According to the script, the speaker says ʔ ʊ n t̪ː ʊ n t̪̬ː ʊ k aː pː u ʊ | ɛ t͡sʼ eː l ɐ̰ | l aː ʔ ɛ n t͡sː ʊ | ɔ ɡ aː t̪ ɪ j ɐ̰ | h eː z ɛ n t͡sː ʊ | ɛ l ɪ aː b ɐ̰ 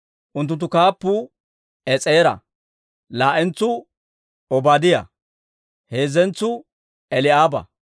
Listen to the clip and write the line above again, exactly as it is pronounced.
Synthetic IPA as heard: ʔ ʊ n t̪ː ʊ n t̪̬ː ʊ k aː pː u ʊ | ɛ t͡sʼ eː ɾ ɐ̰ | l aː ʔ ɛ n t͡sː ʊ | ɔ b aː d̪ ɪ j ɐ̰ | h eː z ɛ n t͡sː ʊ | ɛ l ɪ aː b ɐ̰